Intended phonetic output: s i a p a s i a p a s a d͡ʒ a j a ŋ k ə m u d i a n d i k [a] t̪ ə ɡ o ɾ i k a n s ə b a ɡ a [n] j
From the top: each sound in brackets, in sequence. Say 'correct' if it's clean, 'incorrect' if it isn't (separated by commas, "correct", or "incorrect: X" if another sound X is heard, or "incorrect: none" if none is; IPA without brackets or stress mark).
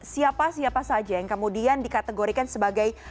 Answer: correct, incorrect: none